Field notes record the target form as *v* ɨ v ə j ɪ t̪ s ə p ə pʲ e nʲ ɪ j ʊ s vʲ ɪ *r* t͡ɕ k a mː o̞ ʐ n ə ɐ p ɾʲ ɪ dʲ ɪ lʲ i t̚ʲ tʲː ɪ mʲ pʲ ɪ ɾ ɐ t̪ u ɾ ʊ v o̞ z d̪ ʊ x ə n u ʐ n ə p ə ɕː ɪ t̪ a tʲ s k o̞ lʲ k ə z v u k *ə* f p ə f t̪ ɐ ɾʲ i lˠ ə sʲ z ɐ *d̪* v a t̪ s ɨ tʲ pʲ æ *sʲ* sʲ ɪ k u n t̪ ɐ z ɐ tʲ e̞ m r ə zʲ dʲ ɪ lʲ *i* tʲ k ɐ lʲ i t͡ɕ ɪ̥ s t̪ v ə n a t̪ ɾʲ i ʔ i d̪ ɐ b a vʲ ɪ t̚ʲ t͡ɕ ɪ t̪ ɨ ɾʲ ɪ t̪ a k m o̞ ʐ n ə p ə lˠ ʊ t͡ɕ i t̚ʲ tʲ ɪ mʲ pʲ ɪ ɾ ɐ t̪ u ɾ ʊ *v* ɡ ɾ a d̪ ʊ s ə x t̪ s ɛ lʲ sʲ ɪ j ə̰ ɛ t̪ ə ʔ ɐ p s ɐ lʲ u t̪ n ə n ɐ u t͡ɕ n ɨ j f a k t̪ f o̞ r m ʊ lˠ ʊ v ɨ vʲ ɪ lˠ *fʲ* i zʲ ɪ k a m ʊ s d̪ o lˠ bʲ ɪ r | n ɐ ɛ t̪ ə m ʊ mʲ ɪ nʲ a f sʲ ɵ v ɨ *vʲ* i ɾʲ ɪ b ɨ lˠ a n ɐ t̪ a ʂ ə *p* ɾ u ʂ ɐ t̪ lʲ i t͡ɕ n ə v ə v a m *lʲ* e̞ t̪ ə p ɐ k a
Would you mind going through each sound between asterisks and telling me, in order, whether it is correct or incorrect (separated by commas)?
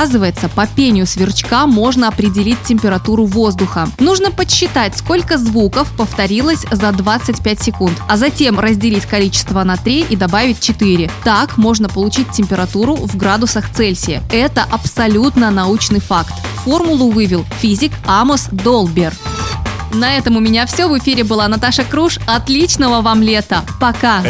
incorrect, correct, correct, correct, incorrect, correct, correct, correct, incorrect, incorrect, correct